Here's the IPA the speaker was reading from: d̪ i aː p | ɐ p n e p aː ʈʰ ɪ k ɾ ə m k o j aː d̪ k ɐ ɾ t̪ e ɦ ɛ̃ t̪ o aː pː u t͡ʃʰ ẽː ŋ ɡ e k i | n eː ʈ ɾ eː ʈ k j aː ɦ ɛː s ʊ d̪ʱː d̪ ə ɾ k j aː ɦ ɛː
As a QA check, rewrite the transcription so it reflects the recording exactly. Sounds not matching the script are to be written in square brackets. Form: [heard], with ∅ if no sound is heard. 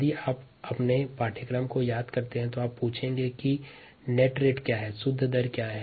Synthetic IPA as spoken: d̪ i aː p | ɐ p n e p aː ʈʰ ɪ k ɾ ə m k o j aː d̪ k ɐ ɾ t̪ e ɦ ɛ̃ t̪ o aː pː [uː] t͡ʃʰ ẽː ŋ ɡ e k i | n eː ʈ ɾ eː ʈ k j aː ɦ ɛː s ʊ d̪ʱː d̪ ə ɾ k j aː ɦ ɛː